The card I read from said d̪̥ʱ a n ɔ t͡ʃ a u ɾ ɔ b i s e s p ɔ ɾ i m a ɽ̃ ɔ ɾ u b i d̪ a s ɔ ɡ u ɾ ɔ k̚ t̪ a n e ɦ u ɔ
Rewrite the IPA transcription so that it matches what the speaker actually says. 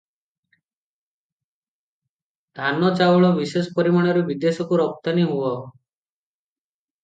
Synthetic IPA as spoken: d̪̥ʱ a n ɔ t͡ʃ a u ɭ ɔ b i s e s p ɔ ɾ i m a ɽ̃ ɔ ɾ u b i d̪ e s ɔ k u ɾ ɔ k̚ t̪ a n i ɦ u ɔ